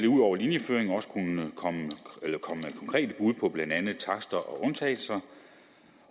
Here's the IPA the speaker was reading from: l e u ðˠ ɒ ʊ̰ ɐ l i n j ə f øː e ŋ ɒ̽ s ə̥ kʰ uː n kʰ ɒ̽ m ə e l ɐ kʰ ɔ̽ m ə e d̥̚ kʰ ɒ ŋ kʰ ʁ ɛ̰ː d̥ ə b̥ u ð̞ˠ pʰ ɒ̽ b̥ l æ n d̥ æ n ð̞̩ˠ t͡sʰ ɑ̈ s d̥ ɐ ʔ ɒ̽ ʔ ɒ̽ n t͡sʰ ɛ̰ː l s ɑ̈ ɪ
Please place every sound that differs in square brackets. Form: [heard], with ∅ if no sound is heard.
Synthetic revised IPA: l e u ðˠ ɒ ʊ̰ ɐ l i n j ə f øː e ŋ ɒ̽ s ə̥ kʰ [u] n kʰ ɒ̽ m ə e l ɐ kʰ [ɒ̽] m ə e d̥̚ kʰ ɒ ŋ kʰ ʁ ɛ̰ː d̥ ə b̥ u ð̞ˠ pʰ ɒ̽ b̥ l æ n d̥ æ n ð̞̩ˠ t͡sʰ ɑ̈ s d̥ ɐ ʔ ɒ̽ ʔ [ɔ̽] n t͡sʰ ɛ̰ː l s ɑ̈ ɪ